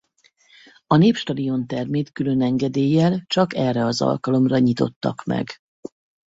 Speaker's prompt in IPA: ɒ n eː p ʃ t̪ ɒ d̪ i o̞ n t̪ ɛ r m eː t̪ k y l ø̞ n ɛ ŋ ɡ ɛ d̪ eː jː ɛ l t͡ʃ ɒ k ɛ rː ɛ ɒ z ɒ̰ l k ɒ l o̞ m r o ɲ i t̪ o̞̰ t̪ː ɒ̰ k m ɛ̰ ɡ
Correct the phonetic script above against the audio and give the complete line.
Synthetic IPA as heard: ɒ n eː p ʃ t̪ ɒ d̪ i o̞ n t̪ ɛ r m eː t̪ k y l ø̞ n ɛ ŋ ɡ ɛ d̪ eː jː ɛ l t͡ʃ ɒ k ɛ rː ɛ ɒ z ɒ̰ l k ɒ l o̞ m r ɒ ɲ i t̪ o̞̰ t̪ː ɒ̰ k m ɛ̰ ɡ